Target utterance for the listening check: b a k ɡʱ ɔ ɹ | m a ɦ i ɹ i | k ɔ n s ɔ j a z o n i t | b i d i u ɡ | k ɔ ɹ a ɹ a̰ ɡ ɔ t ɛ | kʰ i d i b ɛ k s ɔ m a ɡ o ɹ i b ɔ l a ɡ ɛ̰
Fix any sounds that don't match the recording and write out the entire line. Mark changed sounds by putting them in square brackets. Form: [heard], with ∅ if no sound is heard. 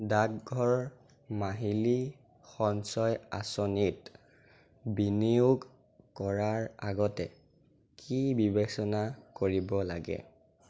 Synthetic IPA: [d] a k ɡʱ ɔ ɹ | m a ɦ i [l] i | [x] ɔ n s ɔ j a [s] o n i t | b i [n] i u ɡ | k ɔ ɹ a ɹ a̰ ɡ ɔ t ɛ | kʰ i [b] i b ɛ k s ɔ [n] a [k] o ɹ i b ɔ l a ɡ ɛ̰